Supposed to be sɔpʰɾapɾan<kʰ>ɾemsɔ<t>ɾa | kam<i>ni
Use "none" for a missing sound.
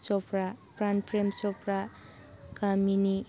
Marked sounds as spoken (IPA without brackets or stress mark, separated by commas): pʰ, p, i